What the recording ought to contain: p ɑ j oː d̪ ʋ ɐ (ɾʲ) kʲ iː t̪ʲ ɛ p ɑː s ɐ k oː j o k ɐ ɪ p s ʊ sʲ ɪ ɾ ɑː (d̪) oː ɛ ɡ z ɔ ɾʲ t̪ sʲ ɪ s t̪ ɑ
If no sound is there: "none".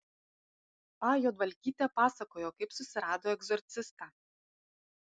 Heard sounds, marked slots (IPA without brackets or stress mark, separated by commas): lʲ, d̪